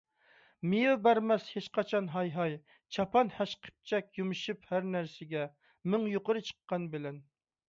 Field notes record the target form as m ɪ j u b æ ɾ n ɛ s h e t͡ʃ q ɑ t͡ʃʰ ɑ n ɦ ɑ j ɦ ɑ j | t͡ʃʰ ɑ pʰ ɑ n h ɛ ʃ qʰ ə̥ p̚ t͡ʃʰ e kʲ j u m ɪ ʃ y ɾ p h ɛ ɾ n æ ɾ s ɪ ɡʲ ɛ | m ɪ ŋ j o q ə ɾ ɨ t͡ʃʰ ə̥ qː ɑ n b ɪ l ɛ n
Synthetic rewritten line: m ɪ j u b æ ɾ m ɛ s h e t͡ʃ q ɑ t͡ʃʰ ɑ n ɦ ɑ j ɦ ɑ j | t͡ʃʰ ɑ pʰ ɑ n h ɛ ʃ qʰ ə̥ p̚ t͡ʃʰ ɛ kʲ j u m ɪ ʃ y p h æ ɾ n æ ɾ s ɪ ɡʲ ɛ | m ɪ ŋ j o q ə ɾ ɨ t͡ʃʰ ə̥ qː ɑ n b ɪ l ɛ n